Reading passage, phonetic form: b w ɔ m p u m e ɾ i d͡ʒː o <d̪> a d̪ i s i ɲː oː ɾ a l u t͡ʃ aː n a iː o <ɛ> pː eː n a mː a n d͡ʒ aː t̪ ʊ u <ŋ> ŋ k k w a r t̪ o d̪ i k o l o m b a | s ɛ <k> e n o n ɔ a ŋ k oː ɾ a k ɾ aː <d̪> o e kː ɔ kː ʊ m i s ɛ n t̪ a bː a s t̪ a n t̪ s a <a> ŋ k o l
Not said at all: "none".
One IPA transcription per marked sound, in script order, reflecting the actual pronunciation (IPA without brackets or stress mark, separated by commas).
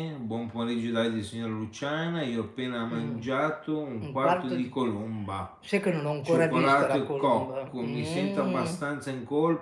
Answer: d̪, a, ŋ, k, t̪, i